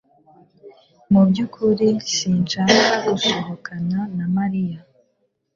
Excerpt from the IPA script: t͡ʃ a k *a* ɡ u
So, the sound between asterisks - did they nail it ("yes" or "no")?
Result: yes